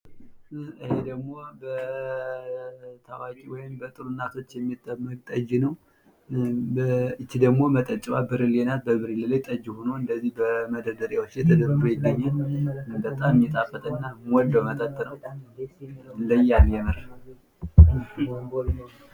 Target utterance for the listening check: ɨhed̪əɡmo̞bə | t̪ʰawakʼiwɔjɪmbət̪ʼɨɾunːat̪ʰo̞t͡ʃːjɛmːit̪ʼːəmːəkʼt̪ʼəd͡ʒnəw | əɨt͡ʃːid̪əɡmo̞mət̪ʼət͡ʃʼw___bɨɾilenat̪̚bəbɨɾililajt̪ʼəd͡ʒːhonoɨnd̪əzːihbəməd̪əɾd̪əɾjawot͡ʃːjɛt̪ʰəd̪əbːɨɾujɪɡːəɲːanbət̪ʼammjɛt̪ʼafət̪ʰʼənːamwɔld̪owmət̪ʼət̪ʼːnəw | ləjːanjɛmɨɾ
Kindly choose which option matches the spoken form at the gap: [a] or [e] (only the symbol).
a